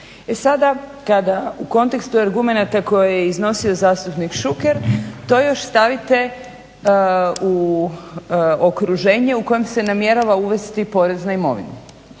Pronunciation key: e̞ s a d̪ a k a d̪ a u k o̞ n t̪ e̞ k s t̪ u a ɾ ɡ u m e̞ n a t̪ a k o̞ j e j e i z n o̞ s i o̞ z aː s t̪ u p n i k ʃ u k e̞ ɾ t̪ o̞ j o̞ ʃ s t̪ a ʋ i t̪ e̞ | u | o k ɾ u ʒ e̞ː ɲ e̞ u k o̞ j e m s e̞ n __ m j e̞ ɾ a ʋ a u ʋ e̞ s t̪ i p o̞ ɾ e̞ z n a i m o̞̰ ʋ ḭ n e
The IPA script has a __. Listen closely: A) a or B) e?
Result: A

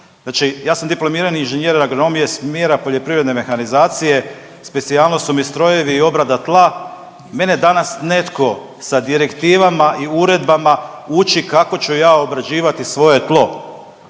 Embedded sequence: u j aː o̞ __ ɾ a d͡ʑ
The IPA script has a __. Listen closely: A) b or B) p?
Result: A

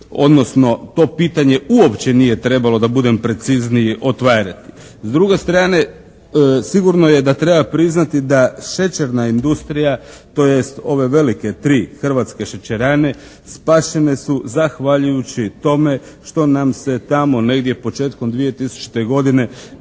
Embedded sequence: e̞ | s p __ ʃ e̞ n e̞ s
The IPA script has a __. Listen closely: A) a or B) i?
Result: A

